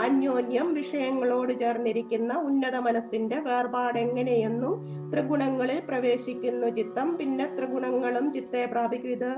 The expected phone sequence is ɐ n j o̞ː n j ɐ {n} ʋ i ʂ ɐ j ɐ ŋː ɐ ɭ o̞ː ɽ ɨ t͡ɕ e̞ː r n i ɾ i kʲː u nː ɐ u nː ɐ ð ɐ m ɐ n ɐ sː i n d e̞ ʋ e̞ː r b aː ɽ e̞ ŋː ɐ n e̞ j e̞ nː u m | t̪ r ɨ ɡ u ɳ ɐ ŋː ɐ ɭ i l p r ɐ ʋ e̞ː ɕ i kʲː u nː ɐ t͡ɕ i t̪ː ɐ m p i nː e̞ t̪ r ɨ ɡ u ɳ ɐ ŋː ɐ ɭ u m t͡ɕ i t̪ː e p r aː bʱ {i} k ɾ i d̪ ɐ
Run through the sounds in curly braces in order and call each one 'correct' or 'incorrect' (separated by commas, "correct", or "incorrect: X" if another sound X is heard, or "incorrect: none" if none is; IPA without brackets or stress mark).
incorrect: m, correct